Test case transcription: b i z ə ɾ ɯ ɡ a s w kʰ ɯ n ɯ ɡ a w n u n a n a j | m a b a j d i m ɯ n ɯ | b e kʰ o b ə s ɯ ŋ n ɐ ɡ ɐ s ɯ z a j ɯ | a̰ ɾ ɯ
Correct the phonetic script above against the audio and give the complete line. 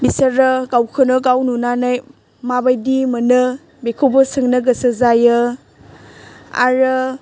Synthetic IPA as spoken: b i s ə ɾ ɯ ɡ a w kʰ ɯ n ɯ ɡ a w n u n a n a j | m a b a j d i m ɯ n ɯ | b e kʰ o b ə s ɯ ŋ n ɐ ɡ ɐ s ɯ z a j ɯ | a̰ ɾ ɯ

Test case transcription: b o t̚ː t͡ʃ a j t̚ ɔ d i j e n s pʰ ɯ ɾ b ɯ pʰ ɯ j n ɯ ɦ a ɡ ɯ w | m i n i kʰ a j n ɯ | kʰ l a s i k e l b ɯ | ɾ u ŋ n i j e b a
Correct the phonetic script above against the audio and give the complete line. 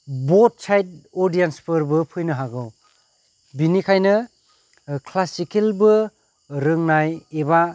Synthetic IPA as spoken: b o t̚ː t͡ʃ a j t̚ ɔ d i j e n s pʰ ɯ ɾ b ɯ pʰ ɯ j n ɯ ɦ a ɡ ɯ w | b i n i kʰ a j n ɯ | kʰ l a s i k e l b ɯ | ɾ ɯ ŋ n a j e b a

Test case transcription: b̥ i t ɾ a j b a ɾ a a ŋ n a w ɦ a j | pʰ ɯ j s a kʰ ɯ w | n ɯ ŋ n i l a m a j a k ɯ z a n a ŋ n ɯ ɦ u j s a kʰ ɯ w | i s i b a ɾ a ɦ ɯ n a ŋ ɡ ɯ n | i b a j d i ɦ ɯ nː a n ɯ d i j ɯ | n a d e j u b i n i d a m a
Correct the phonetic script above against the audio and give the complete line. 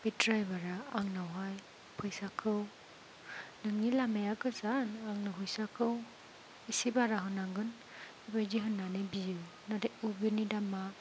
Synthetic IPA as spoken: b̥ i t ɾ a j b a ɾ a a ŋ n a w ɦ a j | pʰ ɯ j s a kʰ ɯ w | n ɯ ŋ n i l a m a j a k ɯ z a n a ŋ n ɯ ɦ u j s a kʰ ɯ w | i s i b a ɾ a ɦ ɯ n a ŋ ɡ ɯ n | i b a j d i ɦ ɯ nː a n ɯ b i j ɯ | n a d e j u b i n i d a m a

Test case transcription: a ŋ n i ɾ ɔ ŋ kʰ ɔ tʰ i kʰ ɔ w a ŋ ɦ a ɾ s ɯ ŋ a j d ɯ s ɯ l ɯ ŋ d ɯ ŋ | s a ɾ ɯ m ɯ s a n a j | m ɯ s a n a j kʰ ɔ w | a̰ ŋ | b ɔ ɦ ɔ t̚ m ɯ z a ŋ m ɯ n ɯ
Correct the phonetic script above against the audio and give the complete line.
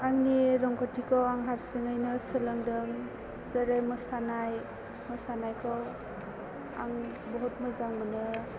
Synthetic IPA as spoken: a ŋ n i ɾ ɔ ŋ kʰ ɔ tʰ i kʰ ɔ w a ŋ ɦ a ɾ s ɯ ŋ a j n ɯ s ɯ l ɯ ŋ d ɯ ŋ | z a ɾ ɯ m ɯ s a n a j | m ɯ s a n a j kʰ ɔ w | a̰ ŋ | b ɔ ɦ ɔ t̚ m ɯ z a ŋ m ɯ n ɯ

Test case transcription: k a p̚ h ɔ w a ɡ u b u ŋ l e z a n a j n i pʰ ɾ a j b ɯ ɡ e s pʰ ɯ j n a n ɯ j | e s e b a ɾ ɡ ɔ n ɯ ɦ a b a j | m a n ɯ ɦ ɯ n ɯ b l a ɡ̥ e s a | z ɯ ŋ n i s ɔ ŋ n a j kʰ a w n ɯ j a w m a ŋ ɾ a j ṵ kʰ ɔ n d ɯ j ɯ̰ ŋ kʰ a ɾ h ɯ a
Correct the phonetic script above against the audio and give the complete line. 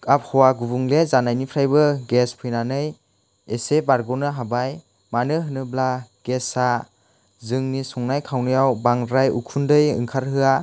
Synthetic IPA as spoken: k a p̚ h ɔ w a ɡ u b u ŋ l e z a n a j n i pʰ ɾ a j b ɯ ɡ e s pʰ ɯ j n a n ɯ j | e s e b a ɾ ɡ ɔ n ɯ ɦ a b a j | m a n ɯ ɦ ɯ n ɯ b l a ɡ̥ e s a | z ɯ ŋ n i s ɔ ŋ n a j kʰ a w n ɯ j a w b a ŋ ɾ a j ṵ kʰ u n d ɯ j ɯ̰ ŋ kʰ a ɾ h ɯ a

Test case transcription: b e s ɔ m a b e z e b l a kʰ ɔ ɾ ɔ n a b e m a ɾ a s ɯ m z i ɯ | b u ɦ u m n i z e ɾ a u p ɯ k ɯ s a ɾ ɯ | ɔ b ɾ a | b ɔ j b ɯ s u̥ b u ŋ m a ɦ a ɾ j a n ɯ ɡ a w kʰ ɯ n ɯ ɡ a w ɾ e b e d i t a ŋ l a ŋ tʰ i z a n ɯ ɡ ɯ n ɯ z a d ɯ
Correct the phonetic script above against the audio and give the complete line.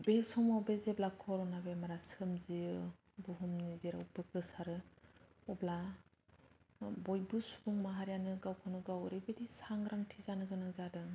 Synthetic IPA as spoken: b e s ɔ m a b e z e b l a kʰ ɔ ɾ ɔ n a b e m a ɾ a s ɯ m z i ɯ | b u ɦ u m n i z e ɾ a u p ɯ k ɯ s a ɾ ɯ | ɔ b l a | b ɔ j b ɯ s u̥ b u ŋ m a ɦ a ɾ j a n ɯ ɡ a w kʰ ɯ n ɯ ɡ a w ɾ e b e d i s a ŋ ɾ a ŋ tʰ i z a n ɯ ɡ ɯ n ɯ z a d ɯ

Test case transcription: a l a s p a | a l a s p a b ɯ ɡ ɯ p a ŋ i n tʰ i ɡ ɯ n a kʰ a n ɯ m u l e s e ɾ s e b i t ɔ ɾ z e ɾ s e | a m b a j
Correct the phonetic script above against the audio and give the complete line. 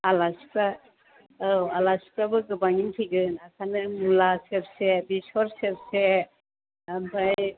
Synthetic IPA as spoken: a l a s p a | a l a s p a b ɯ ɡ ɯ b a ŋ i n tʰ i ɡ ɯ n a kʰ a n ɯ m u l a s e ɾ s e b i s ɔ ɾ s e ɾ s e | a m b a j

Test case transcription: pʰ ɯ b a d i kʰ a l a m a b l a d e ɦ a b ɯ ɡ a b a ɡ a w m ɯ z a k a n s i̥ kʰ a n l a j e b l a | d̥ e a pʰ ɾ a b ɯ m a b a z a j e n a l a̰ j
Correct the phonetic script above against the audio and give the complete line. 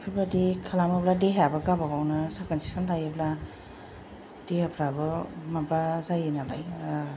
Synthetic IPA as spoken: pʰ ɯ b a d i kʰ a l a m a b l a d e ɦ a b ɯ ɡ a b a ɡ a w n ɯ s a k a n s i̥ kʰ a n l a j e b l a | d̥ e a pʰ ɾ a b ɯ m a b a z a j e n a l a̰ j

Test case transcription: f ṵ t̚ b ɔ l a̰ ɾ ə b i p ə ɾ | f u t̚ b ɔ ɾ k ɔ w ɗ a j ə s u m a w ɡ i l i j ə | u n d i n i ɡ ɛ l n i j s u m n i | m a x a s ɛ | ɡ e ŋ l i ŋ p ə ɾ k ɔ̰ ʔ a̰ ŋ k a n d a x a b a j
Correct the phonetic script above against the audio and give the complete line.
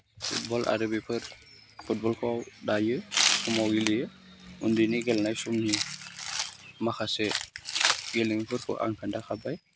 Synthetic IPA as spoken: f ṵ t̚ b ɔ l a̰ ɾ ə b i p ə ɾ | f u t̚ b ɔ l k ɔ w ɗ a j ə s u m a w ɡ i l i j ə | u n d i n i ɡ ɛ l n a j s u m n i | m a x a s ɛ | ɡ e l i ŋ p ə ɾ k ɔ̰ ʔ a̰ ŋ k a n d a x a b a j

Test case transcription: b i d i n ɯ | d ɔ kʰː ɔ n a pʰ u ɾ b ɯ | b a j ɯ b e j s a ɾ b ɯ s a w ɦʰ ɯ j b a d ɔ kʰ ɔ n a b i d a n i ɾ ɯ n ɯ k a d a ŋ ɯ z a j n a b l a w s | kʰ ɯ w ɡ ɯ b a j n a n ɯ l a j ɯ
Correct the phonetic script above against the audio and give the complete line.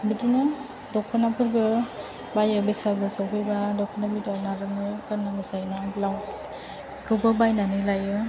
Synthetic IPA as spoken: b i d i n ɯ | d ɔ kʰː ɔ n a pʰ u ɾ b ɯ | b a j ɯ b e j s a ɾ b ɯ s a w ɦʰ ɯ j b a d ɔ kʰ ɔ n a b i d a n a ɾ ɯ n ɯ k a n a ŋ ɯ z a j n a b l a w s | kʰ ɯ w b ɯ b a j n a n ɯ l a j ɯ

